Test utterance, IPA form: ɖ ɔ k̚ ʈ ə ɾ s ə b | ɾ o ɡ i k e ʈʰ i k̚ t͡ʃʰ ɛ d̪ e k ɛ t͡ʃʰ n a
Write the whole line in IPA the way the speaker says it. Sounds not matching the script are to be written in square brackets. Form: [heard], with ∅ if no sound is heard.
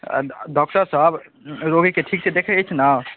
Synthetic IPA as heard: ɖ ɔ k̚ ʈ ə ɾ s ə b | ɾ o ɡ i k e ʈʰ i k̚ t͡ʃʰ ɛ d̪ e [kʰ] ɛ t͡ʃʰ n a

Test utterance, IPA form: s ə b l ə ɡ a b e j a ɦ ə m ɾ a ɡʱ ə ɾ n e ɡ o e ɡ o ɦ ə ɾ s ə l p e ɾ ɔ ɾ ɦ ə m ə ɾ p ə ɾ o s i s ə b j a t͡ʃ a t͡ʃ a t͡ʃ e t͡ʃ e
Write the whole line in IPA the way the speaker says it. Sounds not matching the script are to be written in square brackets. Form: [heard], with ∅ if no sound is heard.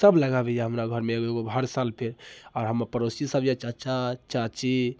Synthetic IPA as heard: s ə b l ə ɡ a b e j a ɦ ə m ɾ a ɡʱ ə ɾ [m] e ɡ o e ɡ o ɦ ə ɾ s [a] l [pʰ] e ɾ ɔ ɾ ɦ ə m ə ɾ p ə ɾ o s i s ə b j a t͡ʃ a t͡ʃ a t͡ʃ [a] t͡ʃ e

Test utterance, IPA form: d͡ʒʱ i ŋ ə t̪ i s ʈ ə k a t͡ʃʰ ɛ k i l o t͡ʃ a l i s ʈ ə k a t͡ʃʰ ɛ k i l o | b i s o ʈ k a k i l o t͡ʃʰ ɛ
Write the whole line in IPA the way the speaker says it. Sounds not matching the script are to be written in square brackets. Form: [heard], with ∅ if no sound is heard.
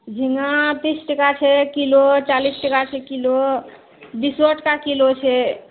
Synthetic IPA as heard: d͡ʒʱ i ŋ [a] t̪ i s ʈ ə k a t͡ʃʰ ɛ k i l o t͡ʃ a l i s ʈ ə k a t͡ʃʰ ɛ k i l o | b i s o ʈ k a k i l o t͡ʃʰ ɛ

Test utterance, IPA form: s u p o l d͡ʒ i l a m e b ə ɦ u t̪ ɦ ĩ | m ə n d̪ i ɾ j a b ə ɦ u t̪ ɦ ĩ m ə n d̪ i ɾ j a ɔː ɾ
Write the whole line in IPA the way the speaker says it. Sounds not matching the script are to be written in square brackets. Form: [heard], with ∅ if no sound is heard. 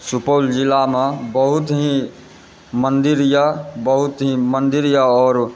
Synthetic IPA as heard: s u p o l d͡ʒ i l a m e b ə ɦ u t̪ ɦ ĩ | m ə n d̪ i ɾ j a b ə ɦ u t̪ ɦ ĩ m ə n d̪ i ɾ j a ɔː ɾ

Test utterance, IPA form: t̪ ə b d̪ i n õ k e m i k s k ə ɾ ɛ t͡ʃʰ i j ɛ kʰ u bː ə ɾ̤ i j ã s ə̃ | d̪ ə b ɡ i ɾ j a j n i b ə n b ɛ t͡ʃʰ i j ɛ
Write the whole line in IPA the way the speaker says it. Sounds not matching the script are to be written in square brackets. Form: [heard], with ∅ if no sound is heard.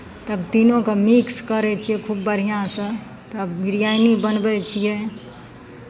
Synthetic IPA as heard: t̪ ə b [t̪] i n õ k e m i k s k ə ɾ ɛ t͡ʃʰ i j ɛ kʰ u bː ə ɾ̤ i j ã s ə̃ | [t̪] ə b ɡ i ɾ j a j n i b ə n b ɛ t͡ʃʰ i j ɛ

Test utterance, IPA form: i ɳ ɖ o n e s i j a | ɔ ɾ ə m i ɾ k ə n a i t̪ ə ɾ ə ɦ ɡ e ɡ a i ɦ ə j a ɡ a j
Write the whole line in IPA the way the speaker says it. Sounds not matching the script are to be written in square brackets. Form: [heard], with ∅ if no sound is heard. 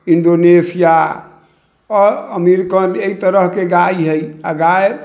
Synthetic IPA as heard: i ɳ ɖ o n e s i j a | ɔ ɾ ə m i ɾ k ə n [e] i t̪ ə ɾ ə ɦ [k] e ɡ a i ɦ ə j a ɡ a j

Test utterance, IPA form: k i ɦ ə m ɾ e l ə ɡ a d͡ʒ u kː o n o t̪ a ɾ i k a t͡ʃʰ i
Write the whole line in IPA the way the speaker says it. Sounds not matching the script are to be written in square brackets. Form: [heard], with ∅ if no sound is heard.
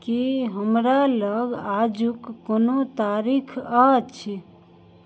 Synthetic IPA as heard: k i ɦ ə m ɾ [a] l ə ɡ a d͡ʒ u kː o n o t̪ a ɾ i [kʰ] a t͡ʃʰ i

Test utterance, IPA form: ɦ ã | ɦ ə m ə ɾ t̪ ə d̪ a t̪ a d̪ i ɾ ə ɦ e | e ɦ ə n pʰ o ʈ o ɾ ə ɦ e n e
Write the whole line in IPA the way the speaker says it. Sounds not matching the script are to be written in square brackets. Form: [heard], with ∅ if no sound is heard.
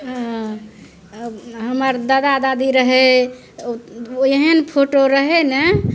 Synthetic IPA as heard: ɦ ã | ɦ ə m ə ɾ [d̪] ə d̪ a [d̪] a d̪ i ɾ ə ɦ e | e ɦ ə n pʰ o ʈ o ɾ ə ɦ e n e

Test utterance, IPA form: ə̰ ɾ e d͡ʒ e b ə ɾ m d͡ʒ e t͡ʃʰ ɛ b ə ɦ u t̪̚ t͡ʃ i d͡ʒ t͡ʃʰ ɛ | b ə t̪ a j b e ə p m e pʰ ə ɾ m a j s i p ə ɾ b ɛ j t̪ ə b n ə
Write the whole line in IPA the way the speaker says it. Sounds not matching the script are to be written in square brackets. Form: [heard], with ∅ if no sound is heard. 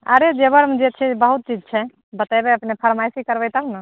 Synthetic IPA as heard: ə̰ ɾ e d͡ʒ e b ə ɾ m d͡ʒ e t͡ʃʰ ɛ b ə ɦ u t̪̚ t͡ʃ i d͡ʒ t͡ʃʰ ɛ | b ə t̪ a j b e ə p [n] e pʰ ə ɾ m a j s i [k] ə ɾ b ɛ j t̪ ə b n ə

